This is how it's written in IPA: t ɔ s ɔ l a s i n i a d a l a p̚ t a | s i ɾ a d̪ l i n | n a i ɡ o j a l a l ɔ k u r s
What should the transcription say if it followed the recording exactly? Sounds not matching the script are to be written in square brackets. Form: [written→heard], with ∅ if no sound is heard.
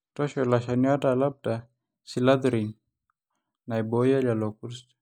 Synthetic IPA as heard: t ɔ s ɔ l a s [i→a] n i a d a l a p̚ [t→d] a | s i [ɾ→l] a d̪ [l→ɾ] i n | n a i [ɡ→b] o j a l a l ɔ k u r s